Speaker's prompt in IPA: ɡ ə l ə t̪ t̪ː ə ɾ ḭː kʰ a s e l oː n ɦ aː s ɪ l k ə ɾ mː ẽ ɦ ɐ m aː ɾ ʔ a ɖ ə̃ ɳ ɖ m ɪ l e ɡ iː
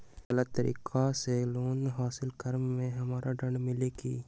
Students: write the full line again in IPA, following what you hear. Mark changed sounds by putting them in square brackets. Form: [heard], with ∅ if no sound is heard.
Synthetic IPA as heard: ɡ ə l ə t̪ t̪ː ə ɾ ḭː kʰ a s e l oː n ɦ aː s ɪ l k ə ɾ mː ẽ ɦ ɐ m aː ɾ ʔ a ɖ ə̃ ɳ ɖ m ɪ l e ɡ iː